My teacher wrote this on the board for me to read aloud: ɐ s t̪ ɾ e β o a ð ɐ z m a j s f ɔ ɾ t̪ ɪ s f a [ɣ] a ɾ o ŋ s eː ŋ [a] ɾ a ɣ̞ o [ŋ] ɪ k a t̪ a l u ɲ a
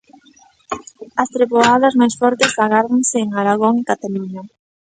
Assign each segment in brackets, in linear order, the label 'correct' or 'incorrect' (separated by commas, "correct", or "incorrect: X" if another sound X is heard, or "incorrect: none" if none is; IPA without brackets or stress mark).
correct, correct, correct